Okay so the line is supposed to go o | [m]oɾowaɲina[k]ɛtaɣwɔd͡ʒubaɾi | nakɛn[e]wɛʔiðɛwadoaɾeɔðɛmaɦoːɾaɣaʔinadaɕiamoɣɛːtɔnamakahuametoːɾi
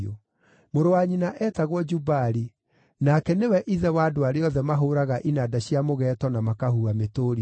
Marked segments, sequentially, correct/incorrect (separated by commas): correct, incorrect, correct